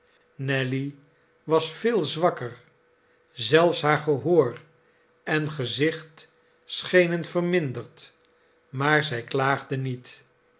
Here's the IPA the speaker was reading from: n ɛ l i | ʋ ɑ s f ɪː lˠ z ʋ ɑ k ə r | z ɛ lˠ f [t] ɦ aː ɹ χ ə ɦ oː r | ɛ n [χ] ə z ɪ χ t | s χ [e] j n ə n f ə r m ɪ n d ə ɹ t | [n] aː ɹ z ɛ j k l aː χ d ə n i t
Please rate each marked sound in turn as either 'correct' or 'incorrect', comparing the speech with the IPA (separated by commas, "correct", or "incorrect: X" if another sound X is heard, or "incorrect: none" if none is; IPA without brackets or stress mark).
incorrect: s, correct, correct, incorrect: m